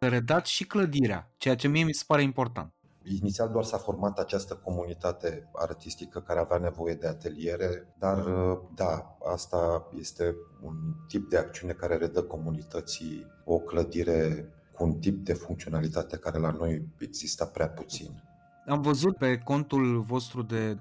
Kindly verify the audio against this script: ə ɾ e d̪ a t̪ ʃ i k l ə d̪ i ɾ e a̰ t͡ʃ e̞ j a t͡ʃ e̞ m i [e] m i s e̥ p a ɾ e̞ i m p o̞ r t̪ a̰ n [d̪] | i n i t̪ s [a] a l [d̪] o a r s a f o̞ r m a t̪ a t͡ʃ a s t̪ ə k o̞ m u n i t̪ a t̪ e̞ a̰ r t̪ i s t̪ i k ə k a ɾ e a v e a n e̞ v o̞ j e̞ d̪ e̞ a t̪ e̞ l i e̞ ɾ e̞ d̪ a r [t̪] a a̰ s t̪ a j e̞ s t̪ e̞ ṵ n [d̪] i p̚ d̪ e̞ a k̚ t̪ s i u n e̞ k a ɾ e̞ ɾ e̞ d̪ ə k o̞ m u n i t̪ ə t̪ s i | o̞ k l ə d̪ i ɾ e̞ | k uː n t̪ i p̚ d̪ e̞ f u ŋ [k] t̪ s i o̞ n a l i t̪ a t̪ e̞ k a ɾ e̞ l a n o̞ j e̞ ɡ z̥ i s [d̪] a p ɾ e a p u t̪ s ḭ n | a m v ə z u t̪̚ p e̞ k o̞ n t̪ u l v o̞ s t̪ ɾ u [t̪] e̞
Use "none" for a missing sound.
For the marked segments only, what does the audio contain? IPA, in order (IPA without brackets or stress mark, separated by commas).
e, t̪, i, d̪, d̪, t̪, k, t̪, d̪